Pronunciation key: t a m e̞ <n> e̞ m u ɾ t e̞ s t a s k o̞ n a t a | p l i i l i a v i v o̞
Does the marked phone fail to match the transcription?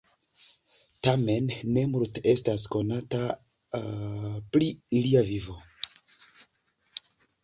yes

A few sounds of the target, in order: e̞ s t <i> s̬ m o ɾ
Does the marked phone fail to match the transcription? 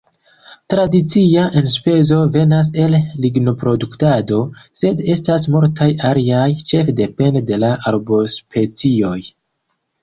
yes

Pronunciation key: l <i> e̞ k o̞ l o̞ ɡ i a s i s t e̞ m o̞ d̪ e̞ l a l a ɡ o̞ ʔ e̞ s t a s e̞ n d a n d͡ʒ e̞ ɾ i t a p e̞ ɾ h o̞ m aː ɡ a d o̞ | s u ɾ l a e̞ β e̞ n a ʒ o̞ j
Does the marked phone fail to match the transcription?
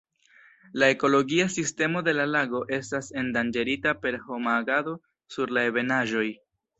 yes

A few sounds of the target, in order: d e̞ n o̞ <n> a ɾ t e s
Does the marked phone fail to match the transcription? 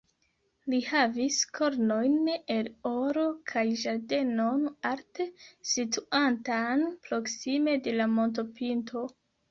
no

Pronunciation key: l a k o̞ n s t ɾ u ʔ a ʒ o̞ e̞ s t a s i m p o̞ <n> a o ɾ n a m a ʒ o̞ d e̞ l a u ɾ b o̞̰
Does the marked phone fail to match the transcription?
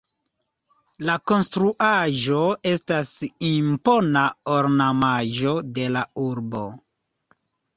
no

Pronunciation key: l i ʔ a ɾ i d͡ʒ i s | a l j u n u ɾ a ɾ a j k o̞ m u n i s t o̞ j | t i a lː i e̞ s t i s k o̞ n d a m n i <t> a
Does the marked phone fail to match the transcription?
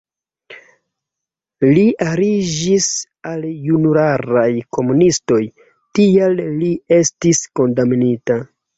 no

